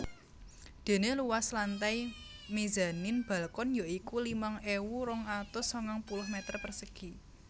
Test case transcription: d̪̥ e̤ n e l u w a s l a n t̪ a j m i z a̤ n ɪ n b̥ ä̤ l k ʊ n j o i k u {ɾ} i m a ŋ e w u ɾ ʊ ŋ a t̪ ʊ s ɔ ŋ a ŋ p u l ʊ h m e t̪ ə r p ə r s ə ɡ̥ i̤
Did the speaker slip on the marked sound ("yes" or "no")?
yes